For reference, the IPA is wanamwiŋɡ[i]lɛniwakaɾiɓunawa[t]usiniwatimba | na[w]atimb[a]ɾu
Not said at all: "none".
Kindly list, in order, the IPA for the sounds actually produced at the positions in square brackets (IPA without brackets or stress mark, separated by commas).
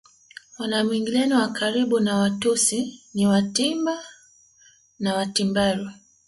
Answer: i, t, w, a